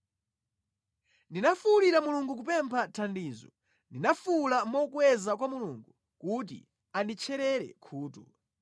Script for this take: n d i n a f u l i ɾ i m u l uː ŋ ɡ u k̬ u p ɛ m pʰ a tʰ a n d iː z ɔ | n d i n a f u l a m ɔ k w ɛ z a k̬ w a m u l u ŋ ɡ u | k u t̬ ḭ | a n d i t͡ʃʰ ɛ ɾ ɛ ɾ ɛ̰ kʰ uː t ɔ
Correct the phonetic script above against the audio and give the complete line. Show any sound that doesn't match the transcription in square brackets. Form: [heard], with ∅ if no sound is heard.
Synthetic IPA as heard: n d i n a f u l i ɾ [a] m u l [u] ŋ ɡ u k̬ u p ɛ m pʰ a tʰ a n d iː z ɔ | n d i n a f u l a m ɔ k w ɛ z a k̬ w a m u l u ŋ ɡ u | k u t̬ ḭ | a n d i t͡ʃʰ ɛ ɾ ɛ ɾ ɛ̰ kʰ uː t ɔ